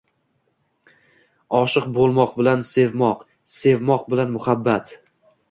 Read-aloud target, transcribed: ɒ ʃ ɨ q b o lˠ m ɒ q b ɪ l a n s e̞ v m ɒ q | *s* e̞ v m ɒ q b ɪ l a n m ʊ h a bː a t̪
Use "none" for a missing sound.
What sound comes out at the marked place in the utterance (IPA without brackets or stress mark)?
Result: s